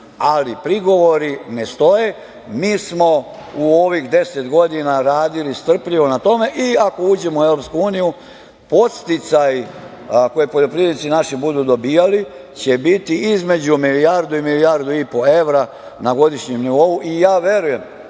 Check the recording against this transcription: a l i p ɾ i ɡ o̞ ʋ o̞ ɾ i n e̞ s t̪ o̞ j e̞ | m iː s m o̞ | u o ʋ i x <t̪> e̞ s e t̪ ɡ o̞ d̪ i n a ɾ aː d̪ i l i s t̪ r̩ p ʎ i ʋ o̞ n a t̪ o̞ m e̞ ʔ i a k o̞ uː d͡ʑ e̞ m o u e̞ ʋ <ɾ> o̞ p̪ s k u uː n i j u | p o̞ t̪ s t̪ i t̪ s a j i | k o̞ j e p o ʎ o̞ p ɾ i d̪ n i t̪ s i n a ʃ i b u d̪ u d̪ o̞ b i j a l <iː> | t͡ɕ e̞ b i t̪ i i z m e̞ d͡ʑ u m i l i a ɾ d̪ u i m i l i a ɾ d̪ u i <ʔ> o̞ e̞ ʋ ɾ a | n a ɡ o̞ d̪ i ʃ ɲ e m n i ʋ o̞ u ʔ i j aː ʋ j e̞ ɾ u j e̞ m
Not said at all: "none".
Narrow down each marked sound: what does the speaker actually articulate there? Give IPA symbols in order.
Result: d̪, ɾ, i, p

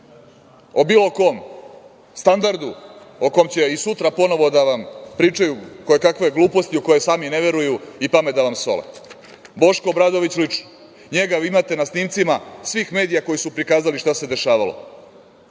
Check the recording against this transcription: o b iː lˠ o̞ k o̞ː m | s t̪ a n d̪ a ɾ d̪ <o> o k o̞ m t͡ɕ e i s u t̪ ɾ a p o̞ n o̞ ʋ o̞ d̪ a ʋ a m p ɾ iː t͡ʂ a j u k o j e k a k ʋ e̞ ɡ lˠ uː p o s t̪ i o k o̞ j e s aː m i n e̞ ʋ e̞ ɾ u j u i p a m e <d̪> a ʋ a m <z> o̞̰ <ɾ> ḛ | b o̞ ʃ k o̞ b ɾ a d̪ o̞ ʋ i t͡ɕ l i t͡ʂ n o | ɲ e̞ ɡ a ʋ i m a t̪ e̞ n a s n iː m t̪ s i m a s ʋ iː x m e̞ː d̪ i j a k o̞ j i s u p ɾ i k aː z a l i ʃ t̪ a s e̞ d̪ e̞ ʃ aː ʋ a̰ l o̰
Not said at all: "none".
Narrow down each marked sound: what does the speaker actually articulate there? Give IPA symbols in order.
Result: u, d̪, s, l

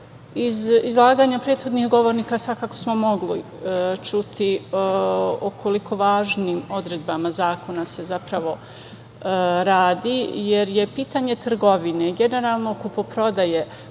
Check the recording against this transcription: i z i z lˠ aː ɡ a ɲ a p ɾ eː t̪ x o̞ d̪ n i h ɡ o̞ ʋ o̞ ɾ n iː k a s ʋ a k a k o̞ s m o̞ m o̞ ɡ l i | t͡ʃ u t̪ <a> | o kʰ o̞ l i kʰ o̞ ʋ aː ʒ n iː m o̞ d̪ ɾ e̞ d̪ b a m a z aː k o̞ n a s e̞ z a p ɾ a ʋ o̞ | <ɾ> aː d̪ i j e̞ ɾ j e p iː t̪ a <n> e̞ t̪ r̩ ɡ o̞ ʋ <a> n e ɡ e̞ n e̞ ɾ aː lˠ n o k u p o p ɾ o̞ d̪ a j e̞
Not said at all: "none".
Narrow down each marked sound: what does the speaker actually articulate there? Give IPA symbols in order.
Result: i, ɾ, ɲ, i

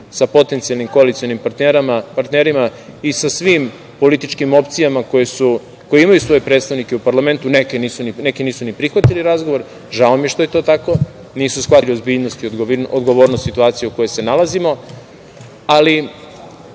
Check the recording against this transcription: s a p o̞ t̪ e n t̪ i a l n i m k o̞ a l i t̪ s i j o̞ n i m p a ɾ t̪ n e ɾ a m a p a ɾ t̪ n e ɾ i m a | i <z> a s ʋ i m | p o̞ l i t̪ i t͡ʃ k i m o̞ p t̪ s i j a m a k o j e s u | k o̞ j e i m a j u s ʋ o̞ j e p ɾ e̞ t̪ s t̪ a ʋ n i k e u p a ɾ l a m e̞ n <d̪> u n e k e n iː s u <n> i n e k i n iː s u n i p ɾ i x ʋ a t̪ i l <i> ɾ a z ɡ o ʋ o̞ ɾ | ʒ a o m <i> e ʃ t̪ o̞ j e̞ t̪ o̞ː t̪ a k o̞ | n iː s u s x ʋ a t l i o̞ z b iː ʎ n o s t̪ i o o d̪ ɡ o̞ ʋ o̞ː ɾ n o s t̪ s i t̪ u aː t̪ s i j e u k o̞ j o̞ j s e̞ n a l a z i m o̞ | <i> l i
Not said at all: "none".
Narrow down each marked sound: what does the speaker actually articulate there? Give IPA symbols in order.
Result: s, t̪, n, i, j, a

